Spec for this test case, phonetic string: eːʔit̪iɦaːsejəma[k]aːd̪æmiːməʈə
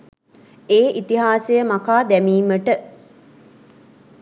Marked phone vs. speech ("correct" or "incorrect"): correct